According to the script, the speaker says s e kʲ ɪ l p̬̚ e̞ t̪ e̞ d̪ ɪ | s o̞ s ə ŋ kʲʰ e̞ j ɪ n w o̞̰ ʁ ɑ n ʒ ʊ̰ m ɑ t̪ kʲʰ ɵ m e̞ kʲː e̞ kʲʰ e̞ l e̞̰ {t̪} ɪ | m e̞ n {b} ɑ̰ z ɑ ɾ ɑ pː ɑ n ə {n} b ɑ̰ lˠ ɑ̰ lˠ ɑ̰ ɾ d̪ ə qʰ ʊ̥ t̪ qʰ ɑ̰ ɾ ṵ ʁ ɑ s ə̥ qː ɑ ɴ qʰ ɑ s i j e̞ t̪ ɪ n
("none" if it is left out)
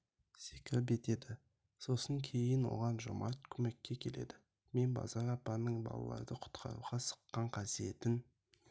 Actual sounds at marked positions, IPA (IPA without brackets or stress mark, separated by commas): d̪, b, ɴ